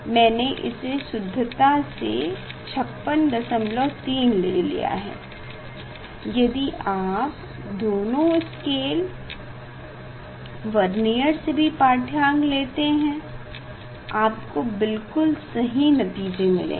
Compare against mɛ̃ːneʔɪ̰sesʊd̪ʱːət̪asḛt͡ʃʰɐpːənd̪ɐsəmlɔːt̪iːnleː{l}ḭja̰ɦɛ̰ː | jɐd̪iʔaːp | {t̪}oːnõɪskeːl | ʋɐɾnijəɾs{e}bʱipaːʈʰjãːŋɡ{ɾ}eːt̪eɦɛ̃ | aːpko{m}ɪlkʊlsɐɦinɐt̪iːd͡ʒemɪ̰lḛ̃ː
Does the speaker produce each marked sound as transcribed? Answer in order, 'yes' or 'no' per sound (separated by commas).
yes, no, yes, no, no